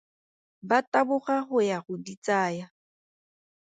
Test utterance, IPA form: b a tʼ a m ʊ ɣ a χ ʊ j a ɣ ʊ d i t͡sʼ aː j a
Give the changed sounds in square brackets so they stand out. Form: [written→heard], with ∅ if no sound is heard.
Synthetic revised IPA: b a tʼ a [m→b] ʊ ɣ a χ ʊ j a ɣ ʊ d i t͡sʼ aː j a